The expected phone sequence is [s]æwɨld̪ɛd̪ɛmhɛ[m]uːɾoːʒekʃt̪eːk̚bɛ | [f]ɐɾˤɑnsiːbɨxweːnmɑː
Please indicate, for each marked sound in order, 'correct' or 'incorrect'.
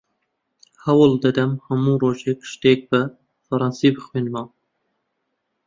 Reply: incorrect: h, correct, correct

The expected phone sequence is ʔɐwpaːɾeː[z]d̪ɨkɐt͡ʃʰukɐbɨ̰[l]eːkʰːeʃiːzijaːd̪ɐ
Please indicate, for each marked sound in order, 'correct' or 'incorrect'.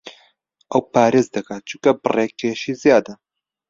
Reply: correct, incorrect: r

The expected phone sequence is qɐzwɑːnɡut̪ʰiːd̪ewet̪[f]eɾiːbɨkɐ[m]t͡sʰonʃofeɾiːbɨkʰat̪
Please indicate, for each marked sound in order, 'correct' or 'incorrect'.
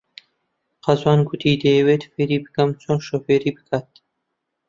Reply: correct, correct

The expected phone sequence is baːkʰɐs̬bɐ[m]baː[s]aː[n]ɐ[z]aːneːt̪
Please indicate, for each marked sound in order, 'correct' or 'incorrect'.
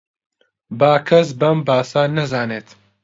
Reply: correct, correct, correct, correct

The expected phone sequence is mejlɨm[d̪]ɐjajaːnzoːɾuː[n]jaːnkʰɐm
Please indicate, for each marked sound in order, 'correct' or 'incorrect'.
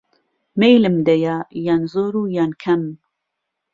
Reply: correct, incorrect: none

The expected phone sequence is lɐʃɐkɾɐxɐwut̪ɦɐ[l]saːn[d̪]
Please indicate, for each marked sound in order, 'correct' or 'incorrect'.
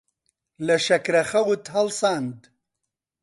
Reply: correct, correct

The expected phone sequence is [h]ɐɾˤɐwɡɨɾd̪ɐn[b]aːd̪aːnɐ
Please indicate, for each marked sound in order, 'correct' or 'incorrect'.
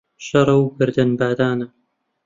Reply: incorrect: ʃ, correct

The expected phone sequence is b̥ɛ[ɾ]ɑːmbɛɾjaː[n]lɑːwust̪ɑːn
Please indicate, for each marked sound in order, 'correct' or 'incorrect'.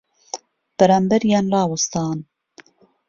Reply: correct, correct

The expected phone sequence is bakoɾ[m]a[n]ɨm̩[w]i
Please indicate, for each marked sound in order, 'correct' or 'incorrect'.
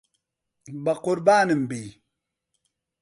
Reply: incorrect: b, correct, incorrect: b

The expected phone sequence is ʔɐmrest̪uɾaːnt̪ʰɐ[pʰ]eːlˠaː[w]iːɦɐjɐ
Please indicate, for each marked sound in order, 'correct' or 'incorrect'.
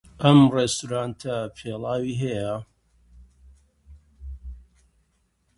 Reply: correct, correct

